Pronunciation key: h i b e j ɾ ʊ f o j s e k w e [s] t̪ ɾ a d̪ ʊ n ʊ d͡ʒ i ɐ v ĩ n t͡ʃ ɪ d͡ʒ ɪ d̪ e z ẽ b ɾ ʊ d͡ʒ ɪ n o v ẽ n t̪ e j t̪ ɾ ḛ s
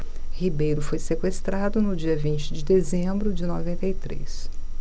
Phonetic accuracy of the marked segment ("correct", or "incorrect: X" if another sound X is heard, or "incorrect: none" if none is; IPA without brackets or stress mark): correct